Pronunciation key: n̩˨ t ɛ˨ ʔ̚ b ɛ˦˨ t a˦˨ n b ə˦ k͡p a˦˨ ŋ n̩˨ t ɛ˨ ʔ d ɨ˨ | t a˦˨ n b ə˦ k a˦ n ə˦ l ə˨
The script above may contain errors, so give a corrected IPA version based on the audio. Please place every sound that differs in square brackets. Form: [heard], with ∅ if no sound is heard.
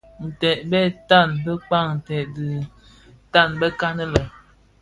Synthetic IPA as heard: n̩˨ t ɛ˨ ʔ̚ b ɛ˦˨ t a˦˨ n b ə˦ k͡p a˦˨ ŋ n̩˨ t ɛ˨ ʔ d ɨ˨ | t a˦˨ n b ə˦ k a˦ n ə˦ l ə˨